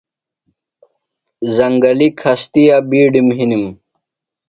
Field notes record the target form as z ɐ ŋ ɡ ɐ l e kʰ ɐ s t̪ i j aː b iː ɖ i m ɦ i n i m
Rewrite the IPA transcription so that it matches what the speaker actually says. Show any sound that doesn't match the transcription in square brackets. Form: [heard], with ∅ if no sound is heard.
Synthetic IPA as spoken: z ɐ ŋ ɡ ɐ l [i] kʰ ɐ s t̪ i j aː b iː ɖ i m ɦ i n i m